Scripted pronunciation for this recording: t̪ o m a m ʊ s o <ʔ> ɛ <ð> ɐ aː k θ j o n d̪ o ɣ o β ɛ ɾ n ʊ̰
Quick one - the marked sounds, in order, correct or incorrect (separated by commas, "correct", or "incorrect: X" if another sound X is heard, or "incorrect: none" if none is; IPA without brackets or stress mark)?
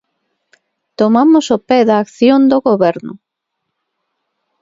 incorrect: p, correct